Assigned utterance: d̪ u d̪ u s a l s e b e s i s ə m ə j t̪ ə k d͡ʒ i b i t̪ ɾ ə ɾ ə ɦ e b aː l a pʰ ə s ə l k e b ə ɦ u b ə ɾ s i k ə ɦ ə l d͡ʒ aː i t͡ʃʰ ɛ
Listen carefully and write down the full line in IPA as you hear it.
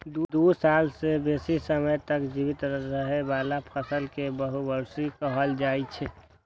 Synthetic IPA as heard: d̪ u d̪ u s a l s e b e s i s ə m ə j t̪ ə k d͡ʒ i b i t̪ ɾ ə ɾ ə ɦ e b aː l a pʰ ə s ə l k e b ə ɦ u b ə ɾ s i k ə ɦ ə l d͡ʒ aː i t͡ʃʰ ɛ